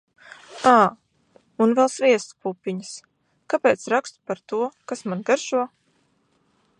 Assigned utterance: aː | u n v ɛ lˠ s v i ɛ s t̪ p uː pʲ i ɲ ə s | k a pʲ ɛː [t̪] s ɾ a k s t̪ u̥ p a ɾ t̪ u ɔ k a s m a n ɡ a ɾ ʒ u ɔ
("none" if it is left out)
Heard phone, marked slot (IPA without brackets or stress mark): t̪